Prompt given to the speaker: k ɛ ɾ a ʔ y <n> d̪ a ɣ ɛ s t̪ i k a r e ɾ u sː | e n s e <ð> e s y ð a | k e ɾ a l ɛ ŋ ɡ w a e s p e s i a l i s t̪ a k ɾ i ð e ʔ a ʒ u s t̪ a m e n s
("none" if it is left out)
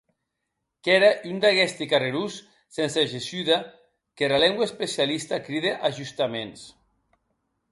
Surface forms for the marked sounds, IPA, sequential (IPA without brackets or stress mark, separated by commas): n, ʒ